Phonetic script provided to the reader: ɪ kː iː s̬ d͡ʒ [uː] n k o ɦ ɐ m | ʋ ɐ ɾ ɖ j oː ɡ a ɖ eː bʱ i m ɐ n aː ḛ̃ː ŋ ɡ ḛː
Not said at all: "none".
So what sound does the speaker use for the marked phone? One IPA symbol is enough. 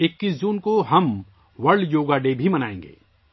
uː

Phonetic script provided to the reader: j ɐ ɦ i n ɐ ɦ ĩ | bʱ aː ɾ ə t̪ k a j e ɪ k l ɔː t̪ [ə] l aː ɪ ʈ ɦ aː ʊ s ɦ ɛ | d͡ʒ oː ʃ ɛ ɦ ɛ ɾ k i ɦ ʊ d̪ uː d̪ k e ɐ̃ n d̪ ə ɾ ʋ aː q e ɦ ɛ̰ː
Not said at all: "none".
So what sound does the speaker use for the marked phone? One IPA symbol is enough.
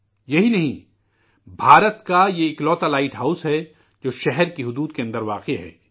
a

